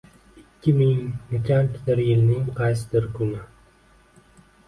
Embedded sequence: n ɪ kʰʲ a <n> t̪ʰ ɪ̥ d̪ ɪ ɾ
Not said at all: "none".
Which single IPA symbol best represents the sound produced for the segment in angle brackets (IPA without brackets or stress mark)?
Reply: n